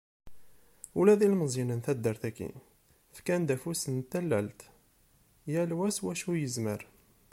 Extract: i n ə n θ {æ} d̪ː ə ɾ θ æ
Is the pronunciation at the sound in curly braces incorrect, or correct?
correct